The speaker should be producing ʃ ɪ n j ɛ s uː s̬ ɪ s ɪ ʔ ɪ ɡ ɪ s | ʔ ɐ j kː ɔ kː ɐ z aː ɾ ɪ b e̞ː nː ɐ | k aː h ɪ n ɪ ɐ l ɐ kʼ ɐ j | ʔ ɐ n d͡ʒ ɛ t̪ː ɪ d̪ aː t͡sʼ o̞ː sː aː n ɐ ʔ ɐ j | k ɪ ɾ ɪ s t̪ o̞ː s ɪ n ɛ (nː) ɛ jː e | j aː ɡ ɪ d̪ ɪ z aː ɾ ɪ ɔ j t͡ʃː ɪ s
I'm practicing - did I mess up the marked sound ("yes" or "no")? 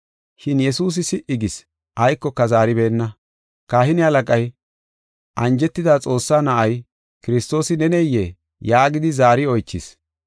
yes